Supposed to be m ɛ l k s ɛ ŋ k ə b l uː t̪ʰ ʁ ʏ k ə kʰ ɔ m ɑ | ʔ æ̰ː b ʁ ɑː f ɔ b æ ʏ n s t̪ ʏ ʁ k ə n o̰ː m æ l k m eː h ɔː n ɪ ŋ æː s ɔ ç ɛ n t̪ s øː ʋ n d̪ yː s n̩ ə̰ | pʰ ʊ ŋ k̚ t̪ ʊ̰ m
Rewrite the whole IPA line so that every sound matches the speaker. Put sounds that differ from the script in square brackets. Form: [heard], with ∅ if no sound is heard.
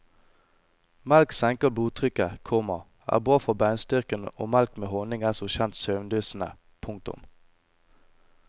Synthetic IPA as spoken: m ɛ l k s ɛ ŋ k ə b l uː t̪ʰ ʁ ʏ k ə kʰ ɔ m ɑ | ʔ æ̰ː b ʁ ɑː f ɔ b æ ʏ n s t̪ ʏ ʁ k ə n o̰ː m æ l k m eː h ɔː n ɪ ŋ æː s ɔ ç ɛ n t̪ s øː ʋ n d̪ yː s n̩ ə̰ | pʰ ʊ ŋ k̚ t̪ ʊ̰ m

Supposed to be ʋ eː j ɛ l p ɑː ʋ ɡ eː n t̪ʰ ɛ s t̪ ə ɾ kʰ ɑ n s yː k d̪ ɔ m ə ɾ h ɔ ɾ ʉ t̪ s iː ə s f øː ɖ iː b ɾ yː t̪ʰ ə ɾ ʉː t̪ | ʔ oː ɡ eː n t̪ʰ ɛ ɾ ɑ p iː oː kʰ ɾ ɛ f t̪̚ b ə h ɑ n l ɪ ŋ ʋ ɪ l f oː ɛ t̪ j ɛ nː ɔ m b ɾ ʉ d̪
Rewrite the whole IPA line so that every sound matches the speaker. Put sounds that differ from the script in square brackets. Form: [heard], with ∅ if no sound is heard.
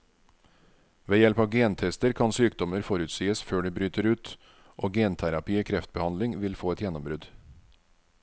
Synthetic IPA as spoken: ʋ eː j ɛ l p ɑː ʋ ɡ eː n t̪ʰ ɛ s t̪ ə ɾ kʰ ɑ n s yː k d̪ ɔ m ə ɾ [f] ɔ ɾ ʉ t̪ s iː ə s f øː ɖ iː b ɾ yː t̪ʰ ə ɾ ʉː t̪ | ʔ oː ɡ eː n t̪ʰ [æ] ɾ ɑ p iː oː kʰ ɾ ɛ f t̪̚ b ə h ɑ n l ɪ ŋ ʋ ɪ l f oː ɛ t̪ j ɛ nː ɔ m b ɾ ʉ d̪

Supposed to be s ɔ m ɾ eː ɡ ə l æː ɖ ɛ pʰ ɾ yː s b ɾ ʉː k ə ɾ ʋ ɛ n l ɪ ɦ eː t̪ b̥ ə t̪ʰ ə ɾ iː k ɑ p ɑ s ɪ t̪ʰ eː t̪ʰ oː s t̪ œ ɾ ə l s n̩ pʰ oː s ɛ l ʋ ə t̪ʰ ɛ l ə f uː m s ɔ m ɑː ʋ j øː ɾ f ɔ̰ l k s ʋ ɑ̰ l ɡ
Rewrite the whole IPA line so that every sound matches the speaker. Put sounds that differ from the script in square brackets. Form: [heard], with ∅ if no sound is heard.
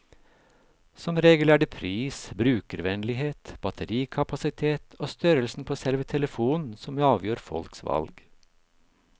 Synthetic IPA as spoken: s ɔ m ɾ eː ɡ ə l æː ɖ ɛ pʰ ɾ [iː] s b ɾ ʉː k ə ɾ ʋ ɛ n l ɪ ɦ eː t̪ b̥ [ɑ] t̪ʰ ə ɾ iː [kʰ] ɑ p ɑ s ɪ t̪ʰ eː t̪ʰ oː s t̪ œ ɾ ə l s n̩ pʰ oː s ɛ l ʋ ə t̪ʰ ɛ l ə f uː [n] s ɔ m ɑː ʋ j øː ɾ f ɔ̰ l k s ʋ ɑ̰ l ɡ

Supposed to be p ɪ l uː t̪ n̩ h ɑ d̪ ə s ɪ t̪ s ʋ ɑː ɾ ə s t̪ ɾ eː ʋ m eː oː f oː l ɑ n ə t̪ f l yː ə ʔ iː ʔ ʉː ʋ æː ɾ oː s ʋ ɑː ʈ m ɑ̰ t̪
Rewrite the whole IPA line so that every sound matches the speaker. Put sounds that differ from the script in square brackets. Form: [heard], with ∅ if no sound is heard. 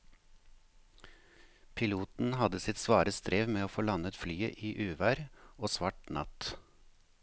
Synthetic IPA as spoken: [pʰ] ɪ l uː t̪ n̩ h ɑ d̪ ə s ɪ t̪ s ʋ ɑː ɾ ə s t̪ ɾ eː ʋ m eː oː f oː l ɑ n ə t̪ f l yː ə ʔ iː ʔ ʉː ʋ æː ɾ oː s ʋ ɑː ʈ [n] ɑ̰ t̪

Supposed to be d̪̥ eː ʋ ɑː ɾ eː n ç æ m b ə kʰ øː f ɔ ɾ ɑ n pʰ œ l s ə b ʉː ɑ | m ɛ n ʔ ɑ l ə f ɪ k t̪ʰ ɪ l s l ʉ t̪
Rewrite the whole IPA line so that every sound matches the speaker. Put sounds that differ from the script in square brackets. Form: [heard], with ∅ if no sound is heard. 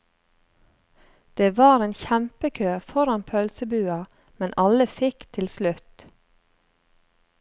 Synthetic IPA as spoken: d̪̥ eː ʋ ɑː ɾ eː n ç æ m [p] ə kʰ øː f ɔ ɾ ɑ n pʰ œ l s ə b ʉː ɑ | m ɛ n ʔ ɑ l ə f ɪ k t̪ʰ ɪ l s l ʉ t̪

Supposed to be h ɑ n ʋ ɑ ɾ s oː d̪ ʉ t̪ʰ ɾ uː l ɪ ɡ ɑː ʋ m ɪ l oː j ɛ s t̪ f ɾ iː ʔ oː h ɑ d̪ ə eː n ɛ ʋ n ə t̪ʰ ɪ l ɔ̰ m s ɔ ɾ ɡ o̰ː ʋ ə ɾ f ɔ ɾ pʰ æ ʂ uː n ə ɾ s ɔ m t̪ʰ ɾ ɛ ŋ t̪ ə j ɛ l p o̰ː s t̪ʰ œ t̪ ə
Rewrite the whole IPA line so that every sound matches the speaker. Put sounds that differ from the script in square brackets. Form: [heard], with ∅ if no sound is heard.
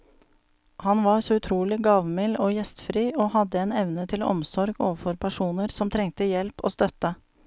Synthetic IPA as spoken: h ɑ n ʋ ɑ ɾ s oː [∅] ʉ t̪ʰ ɾ uː l ɪ ɡ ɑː ʋ m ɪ l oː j ɛ s t̪ f ɾ iː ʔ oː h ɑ d̪ ə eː n ɛ ʋ n ə t̪ʰ ɪ l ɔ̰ m s ɔ ɾ ɡ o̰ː ʋ ə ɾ f ɔ ɾ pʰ æ ʂ uː n ə ɾ s ɔ m t̪ʰ ɾ ɛ ŋ t̪ ə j ɛ l p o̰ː s [t̪] œ t̪ ə

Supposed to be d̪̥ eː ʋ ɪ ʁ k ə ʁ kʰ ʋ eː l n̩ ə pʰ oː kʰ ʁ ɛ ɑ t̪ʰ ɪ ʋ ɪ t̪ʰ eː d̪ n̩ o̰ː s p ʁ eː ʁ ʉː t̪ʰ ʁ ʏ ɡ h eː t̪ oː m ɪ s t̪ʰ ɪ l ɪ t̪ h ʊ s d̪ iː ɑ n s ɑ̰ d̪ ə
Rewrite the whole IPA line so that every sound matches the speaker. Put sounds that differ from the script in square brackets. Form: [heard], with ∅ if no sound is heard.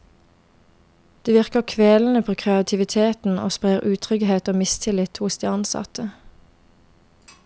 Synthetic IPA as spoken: d̪̥ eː ʋ ɪ ʁ k ə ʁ kʰ ʋ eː l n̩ ə pʰ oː kʰ ʁ ɛ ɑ t̪ʰ ɪ ʋ ɪ t̪ʰ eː [t̪] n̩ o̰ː s p ʁ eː ʁ ʉː t̪ʰ ʁ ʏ ɡ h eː t̪ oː m ɪ s t̪ʰ ɪ l ɪ t̪ h ʊ s d̪ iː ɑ n s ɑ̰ [t̪] ə

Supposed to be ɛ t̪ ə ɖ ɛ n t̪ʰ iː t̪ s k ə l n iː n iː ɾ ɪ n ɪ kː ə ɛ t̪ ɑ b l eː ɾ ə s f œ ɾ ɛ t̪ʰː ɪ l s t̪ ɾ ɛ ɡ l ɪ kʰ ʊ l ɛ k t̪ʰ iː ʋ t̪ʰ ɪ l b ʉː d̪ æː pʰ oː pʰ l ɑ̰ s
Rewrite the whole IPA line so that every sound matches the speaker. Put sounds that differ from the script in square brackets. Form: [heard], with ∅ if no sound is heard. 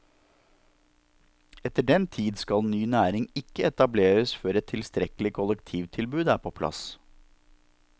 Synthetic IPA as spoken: ɛ t̪ ə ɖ ɛ n t̪ʰ iː [d̪] s k [ɑ] l n [yː] n [æː] ɾ ɪ [ŋ] ɪ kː ə ɛ t̪ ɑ b l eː ɾ ə s f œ ɾ ɛ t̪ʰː ɪ l s t̪ ɾ ɛ [k] l ɪ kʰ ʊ l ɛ k t̪ʰ iː ʋ t̪ʰ ɪ l b ʉː d̪ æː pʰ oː pʰ l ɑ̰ s

